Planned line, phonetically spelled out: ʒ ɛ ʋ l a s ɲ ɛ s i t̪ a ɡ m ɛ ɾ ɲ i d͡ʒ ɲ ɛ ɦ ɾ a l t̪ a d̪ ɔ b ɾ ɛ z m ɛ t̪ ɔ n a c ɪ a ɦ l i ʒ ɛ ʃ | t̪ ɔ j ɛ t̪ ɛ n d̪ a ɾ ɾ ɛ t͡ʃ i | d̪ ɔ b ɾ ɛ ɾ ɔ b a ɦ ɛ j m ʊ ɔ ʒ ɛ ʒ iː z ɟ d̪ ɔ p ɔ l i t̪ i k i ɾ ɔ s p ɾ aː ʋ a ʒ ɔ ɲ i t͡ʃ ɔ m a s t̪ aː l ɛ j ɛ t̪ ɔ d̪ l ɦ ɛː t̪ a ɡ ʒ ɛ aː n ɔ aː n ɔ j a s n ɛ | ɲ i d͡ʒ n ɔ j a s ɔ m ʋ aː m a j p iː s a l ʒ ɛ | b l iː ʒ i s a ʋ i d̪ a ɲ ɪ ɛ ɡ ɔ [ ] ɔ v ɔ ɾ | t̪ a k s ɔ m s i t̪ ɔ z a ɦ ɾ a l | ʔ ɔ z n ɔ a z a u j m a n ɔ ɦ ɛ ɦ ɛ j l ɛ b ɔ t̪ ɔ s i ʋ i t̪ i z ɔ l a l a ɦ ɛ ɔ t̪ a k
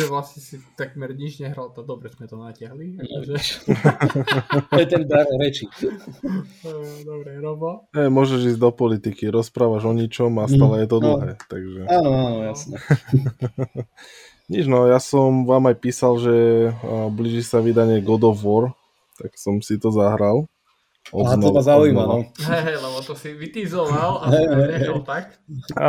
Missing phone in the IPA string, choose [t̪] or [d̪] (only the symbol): d̪